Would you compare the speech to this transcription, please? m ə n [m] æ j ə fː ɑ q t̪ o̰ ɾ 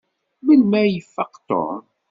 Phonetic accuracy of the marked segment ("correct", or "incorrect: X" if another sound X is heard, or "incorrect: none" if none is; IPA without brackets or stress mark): correct